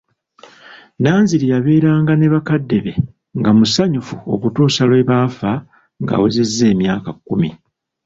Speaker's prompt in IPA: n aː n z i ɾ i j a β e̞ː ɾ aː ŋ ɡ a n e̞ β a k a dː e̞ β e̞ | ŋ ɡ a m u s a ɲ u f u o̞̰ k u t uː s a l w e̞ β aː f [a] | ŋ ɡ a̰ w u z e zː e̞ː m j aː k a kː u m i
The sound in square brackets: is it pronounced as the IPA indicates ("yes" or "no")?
yes